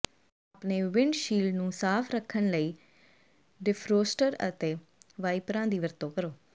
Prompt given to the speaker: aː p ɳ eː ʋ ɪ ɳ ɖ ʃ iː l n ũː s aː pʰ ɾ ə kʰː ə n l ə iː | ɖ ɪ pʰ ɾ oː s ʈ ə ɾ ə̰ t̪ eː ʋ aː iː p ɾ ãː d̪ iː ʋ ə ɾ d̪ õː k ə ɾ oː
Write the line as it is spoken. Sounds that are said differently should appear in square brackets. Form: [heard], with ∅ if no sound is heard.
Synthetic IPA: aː p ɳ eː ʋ ɪ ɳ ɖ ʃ iː l n ũː s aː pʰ ɾ ə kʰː ə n l ə iː | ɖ ɪ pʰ ɾ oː s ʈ ə ɾ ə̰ t̪ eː ʋ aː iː p ɾ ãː d̪ iː ʋ ə ɾ [t̪] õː k ə ɾ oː